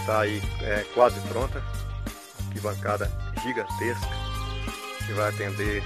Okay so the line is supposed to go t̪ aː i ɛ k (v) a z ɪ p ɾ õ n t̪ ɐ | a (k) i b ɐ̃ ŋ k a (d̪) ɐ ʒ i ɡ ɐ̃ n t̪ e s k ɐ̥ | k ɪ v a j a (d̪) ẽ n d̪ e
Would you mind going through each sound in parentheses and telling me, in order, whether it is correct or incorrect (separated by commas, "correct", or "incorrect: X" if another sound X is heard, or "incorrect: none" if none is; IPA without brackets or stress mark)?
incorrect: w, correct, correct, incorrect: t̪